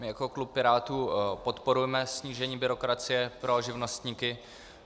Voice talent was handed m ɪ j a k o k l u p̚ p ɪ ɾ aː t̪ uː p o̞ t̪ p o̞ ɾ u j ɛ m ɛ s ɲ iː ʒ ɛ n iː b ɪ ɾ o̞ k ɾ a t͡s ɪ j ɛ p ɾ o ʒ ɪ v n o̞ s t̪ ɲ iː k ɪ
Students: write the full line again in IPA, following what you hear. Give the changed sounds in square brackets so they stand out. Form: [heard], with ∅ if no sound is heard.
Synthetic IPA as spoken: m ɪ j a k o k l u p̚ p ɪ ɾ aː t̪ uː p o̞ t̪ p o̞ ɾ u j ɛ m ɛ s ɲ iː ʒ ɛ [ɲ] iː b ɪ ɾ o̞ k ɾ a t͡s ɪ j ɛ p ɾ o ʒ ɪ v n o̞ s t̪ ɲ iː k ɪ